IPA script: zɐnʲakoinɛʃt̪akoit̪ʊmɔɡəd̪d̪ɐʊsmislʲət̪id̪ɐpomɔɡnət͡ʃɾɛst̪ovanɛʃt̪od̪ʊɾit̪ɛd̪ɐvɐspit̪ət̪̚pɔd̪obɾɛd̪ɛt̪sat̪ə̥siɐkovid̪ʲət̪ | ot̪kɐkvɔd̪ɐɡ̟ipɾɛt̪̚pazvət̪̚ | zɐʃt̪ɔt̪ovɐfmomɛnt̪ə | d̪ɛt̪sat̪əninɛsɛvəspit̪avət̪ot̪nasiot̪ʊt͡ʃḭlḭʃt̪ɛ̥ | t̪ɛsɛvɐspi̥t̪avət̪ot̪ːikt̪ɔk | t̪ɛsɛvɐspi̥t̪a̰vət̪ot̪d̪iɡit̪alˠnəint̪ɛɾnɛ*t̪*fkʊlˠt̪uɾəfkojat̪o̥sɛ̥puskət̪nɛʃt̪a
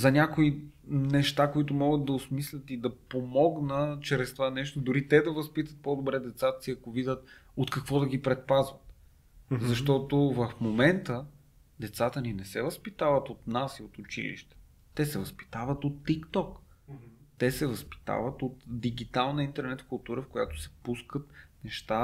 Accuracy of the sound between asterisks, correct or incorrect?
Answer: correct